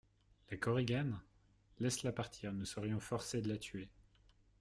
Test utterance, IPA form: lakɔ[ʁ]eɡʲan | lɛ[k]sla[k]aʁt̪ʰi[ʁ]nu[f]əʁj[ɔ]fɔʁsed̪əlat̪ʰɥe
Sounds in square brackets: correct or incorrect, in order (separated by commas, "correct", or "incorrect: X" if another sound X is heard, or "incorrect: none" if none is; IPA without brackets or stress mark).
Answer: correct, incorrect: none, incorrect: p, correct, incorrect: s, incorrect: ɔ̃